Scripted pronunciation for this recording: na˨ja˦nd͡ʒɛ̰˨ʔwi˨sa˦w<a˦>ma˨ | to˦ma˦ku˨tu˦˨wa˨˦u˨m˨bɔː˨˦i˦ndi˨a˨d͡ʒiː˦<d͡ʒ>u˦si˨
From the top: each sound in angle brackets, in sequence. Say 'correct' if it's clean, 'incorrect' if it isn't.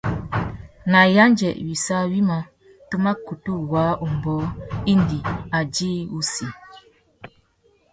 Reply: incorrect, incorrect

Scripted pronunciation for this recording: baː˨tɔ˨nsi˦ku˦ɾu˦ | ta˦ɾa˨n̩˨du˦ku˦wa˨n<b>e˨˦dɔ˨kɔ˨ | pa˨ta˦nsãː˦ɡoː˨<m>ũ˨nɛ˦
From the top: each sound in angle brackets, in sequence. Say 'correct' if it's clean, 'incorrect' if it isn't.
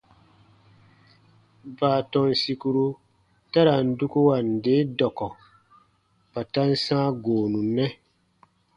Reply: incorrect, incorrect

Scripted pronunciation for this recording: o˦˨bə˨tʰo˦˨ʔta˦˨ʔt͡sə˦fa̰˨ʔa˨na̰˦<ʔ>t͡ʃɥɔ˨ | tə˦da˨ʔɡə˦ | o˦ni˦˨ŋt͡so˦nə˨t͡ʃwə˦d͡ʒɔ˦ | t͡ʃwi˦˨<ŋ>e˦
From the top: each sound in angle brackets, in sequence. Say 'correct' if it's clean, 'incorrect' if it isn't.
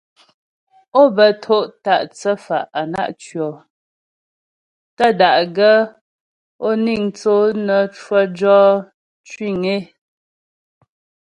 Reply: correct, correct

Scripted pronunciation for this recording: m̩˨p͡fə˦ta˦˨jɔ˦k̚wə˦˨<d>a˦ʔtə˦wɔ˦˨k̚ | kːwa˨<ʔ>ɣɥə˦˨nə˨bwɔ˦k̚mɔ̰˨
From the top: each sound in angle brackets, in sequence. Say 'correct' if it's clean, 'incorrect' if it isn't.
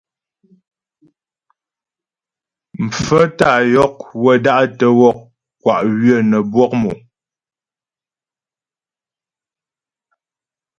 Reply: correct, correct

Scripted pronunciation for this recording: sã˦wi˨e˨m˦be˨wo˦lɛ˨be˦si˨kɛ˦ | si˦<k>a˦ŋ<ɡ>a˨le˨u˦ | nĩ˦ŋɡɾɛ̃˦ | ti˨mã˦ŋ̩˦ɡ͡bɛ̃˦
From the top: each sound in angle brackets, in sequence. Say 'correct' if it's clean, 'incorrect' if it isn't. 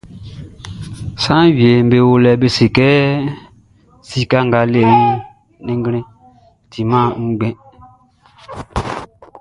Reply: correct, correct

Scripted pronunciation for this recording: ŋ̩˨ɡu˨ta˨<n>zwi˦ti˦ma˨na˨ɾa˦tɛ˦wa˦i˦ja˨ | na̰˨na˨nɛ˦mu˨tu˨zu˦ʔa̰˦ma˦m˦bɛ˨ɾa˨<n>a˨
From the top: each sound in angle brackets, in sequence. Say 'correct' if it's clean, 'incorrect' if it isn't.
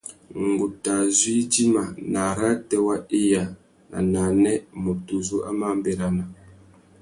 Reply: incorrect, correct

